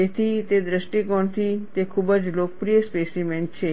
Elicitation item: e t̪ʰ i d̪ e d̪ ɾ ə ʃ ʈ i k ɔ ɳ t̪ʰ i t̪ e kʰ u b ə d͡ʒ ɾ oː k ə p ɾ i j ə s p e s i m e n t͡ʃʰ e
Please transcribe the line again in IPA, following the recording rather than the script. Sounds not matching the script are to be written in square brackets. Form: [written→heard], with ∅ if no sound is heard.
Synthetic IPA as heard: e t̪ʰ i [d̪→t̪] e d̪ ɾ ə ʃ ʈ i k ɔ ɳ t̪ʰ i t̪ e kʰ u b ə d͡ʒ [ɾ→l] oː k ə p ɾ i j ə s p e s i m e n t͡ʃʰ e